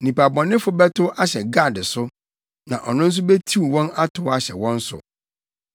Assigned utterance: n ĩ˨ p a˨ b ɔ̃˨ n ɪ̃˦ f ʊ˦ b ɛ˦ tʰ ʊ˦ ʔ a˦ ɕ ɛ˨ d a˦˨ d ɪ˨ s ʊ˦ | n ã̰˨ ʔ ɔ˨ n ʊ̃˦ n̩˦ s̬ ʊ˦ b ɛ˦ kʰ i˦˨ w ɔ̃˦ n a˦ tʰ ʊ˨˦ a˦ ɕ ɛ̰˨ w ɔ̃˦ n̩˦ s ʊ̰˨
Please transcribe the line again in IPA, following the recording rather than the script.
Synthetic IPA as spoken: n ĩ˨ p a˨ b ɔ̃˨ n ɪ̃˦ f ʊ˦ b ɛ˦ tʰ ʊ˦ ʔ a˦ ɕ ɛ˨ ɡ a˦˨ d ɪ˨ s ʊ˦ | n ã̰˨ ʔ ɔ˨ n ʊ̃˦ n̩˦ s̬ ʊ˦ b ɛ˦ tʰ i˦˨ w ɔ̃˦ n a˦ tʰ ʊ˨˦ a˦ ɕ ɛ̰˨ w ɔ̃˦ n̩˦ s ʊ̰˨